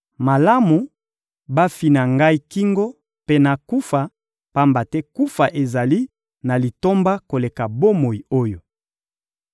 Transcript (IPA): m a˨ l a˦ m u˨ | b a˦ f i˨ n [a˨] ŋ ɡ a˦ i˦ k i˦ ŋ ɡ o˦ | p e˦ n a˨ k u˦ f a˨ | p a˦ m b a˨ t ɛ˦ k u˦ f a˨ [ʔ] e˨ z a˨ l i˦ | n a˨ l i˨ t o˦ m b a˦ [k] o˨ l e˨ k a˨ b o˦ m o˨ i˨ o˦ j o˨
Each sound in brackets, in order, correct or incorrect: correct, correct, correct

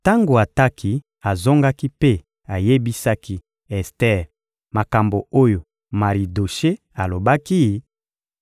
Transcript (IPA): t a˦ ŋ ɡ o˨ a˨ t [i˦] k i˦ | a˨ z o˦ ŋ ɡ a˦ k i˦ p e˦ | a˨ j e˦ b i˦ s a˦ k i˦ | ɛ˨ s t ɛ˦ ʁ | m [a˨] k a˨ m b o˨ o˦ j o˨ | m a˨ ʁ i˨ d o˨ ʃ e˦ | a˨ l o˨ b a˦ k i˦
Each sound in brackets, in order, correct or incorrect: incorrect: a˦, correct

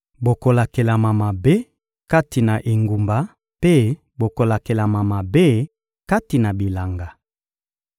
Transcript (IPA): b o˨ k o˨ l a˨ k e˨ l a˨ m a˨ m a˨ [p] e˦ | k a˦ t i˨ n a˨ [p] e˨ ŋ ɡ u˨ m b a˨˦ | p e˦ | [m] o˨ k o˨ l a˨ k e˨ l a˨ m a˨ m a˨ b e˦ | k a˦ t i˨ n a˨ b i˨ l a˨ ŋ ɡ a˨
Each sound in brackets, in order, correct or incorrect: incorrect: b, incorrect: ʔ, incorrect: b

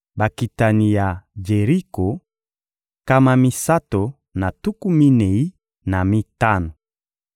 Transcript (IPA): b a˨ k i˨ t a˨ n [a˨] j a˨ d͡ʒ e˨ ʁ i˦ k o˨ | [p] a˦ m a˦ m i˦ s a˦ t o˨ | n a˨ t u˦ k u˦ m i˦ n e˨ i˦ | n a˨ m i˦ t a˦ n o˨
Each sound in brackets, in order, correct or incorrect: incorrect: i˨, incorrect: k

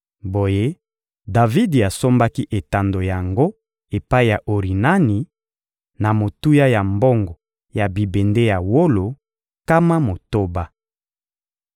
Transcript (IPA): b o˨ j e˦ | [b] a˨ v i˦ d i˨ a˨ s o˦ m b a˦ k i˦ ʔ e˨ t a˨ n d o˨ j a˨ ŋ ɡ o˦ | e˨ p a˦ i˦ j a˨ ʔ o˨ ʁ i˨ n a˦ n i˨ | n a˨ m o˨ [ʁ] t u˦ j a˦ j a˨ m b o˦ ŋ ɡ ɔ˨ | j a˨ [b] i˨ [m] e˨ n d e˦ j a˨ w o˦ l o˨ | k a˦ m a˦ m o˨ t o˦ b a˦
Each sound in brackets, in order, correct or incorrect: incorrect: d, incorrect: none, correct, incorrect: b

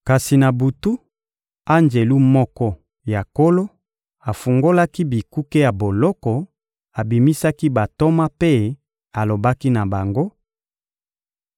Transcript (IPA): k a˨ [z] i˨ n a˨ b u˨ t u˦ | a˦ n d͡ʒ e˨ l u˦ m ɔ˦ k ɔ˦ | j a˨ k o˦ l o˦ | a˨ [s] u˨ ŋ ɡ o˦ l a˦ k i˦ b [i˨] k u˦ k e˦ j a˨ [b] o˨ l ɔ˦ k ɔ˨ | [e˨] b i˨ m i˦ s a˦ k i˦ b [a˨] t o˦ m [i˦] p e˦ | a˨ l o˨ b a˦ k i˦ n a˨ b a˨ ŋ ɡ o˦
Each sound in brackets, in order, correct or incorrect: incorrect: s, incorrect: f, correct, correct, incorrect: a˨, correct, incorrect: a˦

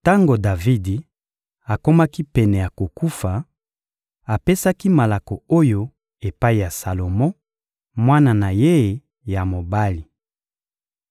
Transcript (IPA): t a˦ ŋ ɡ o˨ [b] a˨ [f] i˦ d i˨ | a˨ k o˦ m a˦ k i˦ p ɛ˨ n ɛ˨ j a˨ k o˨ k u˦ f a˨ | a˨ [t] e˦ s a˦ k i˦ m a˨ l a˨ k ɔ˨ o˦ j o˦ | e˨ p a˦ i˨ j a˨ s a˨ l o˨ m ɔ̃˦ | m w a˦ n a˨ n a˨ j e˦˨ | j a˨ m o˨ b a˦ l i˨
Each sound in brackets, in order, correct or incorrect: incorrect: d, incorrect: v, incorrect: p

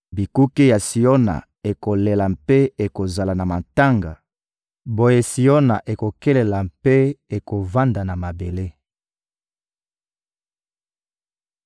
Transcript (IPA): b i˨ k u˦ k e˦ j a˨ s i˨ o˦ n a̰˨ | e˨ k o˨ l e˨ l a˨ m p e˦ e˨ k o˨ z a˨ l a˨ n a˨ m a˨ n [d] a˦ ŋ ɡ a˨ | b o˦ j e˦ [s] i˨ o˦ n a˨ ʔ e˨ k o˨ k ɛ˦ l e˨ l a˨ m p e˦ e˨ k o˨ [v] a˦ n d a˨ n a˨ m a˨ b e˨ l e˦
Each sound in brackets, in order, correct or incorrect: incorrect: t, correct, correct

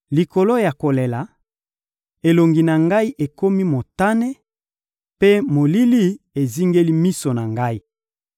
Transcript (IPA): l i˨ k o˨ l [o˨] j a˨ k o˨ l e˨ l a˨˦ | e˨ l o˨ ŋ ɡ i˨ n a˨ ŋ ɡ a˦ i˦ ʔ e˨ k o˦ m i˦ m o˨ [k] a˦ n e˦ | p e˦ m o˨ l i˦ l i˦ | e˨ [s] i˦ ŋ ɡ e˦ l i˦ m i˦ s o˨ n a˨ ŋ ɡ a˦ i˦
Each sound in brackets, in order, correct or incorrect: incorrect: o˦, incorrect: t, incorrect: z

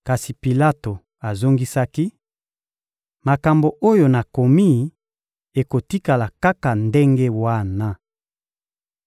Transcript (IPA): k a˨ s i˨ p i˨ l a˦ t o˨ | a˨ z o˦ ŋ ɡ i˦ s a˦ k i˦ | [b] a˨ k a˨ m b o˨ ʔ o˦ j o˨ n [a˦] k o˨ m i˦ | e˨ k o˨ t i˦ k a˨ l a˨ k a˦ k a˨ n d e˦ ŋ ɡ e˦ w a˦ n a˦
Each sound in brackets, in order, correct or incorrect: incorrect: m, incorrect: a˨

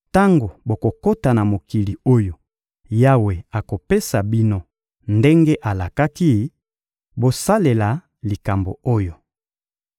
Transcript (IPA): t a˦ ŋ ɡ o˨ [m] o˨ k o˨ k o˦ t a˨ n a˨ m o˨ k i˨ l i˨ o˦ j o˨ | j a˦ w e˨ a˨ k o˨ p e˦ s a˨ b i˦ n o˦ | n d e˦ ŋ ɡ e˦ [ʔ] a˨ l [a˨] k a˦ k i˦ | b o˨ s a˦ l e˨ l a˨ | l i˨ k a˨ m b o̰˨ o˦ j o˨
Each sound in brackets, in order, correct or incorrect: incorrect: b, correct, correct

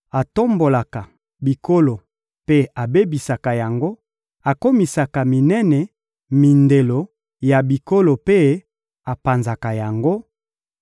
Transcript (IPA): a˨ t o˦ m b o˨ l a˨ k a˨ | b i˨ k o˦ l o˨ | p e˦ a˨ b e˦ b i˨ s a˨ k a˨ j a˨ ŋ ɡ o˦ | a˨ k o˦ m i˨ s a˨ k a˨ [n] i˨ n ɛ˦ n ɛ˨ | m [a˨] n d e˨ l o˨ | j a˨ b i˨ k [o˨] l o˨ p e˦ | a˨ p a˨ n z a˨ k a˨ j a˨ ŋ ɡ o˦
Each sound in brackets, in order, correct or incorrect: incorrect: m, incorrect: i˨, incorrect: o˦

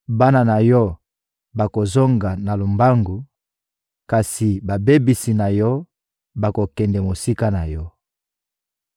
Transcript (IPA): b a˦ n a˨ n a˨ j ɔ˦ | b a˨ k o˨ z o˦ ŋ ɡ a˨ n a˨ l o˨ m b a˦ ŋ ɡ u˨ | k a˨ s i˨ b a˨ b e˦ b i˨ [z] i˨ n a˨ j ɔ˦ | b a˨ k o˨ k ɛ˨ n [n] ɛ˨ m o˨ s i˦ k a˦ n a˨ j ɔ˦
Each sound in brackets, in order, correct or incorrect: incorrect: s, incorrect: d

